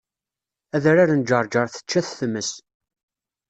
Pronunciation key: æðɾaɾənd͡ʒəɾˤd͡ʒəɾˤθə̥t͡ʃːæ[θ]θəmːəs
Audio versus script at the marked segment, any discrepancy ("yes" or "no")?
no